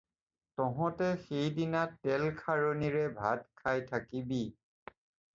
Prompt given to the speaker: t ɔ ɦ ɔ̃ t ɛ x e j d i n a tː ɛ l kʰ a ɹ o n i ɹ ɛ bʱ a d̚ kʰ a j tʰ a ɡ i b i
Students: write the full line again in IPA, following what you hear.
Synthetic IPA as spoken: t ɔ ɦ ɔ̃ t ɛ x e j d i n a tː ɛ l kʰ a ɹ o n i ɹ ɛ bʱ a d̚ kʰ a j tʰ a k i b i